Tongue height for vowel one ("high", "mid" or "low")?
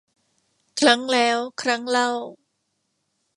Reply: low